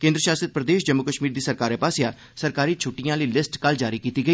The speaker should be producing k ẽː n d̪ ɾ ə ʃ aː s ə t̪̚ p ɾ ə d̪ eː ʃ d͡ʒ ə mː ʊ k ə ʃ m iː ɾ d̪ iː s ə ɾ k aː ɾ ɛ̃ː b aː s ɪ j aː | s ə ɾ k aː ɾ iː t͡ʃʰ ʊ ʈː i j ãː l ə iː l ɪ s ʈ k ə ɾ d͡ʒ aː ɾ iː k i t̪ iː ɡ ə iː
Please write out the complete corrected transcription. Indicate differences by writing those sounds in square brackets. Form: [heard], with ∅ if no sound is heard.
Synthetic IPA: k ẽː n d̪ ɾ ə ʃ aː s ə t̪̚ p ɾ ə d̪ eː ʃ d͡ʒ ə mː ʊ k ə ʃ m iː ɾ d̪ iː s ə ɾ k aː ɾ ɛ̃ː [p] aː s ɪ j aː | s ə ɾ k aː ɾ iː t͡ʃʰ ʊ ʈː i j ãː l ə iː l ɪ s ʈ k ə [l] d͡ʒ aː ɾ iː k [iː] t̪ iː ɡ ə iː